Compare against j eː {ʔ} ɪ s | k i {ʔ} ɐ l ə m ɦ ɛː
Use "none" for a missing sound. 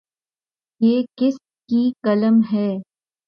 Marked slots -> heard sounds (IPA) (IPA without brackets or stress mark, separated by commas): k, k